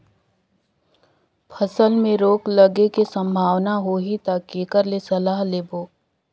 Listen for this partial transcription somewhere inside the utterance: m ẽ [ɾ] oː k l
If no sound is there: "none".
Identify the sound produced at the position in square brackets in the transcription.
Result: ɾ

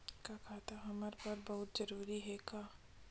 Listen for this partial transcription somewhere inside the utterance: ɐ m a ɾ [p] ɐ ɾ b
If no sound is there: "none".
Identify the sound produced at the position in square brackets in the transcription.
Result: p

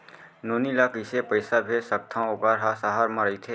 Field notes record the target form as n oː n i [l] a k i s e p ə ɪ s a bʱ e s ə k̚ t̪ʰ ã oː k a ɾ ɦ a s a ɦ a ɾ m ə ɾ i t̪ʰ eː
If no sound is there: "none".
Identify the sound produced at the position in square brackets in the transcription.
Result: l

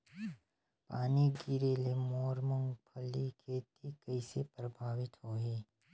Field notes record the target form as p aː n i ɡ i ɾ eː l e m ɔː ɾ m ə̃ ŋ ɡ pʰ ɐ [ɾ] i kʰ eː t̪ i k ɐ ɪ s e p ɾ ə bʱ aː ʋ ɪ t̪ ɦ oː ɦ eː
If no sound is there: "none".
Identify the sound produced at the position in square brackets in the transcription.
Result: l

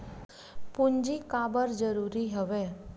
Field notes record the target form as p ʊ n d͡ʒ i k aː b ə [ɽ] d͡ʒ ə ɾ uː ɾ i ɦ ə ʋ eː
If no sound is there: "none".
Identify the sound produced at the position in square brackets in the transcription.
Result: ɾ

